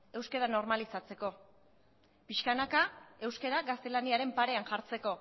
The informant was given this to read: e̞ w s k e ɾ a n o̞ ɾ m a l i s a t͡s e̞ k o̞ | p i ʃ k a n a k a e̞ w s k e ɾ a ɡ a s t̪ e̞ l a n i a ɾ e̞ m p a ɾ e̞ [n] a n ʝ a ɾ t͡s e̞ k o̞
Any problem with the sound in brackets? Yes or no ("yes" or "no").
yes